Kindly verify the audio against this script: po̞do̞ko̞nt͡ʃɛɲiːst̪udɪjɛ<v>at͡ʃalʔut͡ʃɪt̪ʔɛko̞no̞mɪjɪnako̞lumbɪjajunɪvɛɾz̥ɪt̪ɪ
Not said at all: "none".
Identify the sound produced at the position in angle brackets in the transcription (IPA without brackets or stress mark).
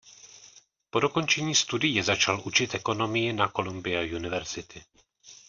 z